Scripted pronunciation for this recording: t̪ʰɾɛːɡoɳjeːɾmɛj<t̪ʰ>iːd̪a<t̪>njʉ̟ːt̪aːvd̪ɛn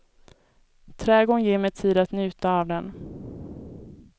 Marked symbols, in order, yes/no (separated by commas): yes, yes